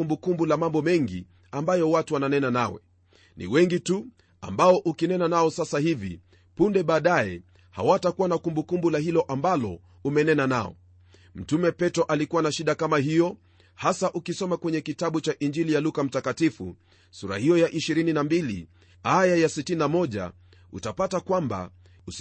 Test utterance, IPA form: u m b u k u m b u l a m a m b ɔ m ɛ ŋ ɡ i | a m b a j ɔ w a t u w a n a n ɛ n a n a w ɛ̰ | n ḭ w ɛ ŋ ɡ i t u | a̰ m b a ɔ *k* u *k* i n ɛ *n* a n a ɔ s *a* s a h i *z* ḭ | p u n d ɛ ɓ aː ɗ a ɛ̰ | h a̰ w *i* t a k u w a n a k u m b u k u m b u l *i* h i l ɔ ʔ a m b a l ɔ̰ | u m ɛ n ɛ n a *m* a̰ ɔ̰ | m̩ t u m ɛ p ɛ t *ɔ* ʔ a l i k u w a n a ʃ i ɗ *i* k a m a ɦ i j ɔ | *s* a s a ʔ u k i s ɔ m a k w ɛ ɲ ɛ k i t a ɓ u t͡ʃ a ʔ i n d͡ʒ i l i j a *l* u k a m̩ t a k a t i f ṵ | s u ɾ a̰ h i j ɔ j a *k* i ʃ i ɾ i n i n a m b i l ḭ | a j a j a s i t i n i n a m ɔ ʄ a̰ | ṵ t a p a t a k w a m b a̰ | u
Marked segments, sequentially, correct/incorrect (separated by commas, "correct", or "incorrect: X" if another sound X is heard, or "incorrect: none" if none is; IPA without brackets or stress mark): incorrect: ʔ, correct, correct, correct, incorrect: v, incorrect: a, incorrect: a, incorrect: n, correct, incorrect: a, incorrect: h, correct, incorrect: ʔ